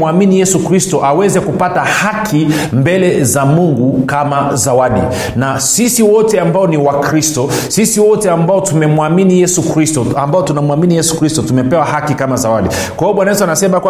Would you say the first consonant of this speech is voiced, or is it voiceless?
voiced